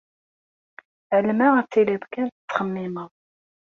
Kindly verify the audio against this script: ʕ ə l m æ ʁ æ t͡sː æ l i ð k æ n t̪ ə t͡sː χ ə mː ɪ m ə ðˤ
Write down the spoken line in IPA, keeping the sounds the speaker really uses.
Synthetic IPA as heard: ʕ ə l m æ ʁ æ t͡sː i l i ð k æ n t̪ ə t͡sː χ ə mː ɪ m ə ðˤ